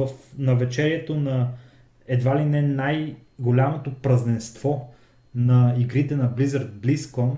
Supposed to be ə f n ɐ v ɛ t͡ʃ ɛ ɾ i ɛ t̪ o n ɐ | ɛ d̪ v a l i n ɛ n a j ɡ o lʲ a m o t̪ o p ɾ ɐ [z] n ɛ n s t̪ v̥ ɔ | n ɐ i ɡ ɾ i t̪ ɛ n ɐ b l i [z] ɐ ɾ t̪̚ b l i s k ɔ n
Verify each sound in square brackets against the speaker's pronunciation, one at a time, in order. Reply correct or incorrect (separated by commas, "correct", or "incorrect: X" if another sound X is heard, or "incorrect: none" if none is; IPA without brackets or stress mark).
correct, correct